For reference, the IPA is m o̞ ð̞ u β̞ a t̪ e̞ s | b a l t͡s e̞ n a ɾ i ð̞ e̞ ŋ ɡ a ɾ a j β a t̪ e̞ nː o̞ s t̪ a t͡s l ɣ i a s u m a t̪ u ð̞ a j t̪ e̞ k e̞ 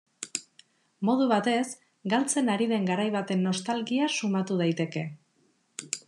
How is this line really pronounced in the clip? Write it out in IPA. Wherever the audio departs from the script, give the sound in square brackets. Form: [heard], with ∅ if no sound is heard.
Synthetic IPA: m o̞ ð̞ u β̞ a t̪ e̞ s | [ɡ] a l t͡s e̞ n a ɾ i ð̞ e̞ ŋ ɡ a ɾ a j β a t̪ e̞ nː o̞ s t̪ a [∅] l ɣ i a s u m a t̪ u ð̞ a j t̪ e̞ k e̞